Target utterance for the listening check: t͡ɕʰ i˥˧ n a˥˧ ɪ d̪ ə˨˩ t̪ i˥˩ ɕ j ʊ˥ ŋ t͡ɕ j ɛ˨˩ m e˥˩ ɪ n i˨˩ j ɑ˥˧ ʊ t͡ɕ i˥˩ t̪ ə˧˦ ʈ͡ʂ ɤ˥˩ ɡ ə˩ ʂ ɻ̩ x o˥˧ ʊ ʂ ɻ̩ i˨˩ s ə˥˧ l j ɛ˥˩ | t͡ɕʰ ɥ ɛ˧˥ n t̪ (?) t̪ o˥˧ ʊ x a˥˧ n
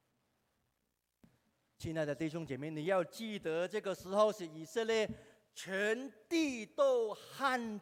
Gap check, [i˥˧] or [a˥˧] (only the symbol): i˥˧